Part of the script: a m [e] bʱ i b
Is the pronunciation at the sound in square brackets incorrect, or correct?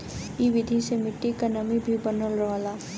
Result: incorrect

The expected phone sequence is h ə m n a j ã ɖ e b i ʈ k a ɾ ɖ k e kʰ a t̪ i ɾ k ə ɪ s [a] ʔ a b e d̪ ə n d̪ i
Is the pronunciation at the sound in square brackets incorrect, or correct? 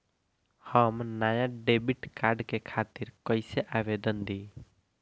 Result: incorrect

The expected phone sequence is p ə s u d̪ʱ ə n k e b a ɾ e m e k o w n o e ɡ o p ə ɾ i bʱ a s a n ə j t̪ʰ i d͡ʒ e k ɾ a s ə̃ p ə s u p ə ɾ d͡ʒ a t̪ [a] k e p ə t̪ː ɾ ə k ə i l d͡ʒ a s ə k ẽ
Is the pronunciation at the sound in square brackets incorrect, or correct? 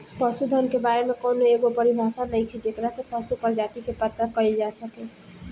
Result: incorrect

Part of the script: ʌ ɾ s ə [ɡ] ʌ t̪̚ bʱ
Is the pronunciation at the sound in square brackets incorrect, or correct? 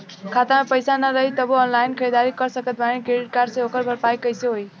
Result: incorrect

